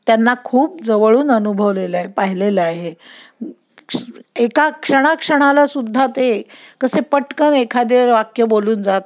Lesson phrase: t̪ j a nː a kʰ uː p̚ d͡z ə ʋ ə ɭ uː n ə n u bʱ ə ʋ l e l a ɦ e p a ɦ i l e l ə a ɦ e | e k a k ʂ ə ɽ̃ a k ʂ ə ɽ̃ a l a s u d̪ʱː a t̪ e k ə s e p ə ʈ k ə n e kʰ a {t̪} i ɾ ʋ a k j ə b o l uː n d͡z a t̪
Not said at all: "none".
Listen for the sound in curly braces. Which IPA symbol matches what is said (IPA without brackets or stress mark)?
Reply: d̪